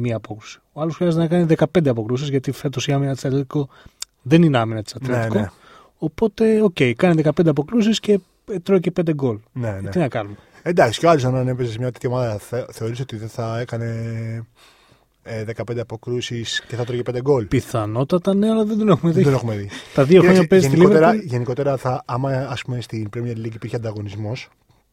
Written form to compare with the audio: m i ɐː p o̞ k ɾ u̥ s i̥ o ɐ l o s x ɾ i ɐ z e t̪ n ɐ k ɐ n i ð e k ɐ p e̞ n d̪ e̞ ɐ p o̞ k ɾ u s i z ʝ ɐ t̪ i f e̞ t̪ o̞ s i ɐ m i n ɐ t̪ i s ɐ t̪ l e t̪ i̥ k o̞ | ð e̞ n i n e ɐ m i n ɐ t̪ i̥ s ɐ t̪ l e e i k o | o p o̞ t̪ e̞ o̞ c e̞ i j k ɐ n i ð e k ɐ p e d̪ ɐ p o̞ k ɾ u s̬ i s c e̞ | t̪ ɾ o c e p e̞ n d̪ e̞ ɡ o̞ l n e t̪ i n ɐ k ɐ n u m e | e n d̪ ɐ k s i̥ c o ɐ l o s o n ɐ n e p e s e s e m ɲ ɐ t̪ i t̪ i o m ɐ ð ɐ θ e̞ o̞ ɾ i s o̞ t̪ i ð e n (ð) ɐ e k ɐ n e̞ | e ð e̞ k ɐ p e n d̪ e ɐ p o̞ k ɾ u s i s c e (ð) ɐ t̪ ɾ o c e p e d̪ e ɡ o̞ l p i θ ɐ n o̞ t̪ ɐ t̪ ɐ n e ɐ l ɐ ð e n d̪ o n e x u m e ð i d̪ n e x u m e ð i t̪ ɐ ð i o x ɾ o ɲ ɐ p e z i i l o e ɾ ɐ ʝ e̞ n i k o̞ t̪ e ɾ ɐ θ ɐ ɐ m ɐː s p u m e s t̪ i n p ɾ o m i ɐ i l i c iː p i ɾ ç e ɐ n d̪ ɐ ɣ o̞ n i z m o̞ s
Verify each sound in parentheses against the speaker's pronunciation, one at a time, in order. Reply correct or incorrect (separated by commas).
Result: incorrect, incorrect